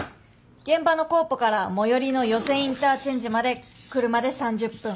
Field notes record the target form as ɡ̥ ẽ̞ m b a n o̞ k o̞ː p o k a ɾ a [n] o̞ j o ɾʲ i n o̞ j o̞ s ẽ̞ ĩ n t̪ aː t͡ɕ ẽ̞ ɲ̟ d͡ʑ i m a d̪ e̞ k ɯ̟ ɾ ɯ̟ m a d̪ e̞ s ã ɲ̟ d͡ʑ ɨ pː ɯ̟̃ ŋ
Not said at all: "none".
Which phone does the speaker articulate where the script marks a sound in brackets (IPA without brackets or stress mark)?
m